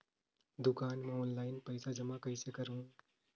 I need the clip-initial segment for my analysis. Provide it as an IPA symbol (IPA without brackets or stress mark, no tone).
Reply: d̪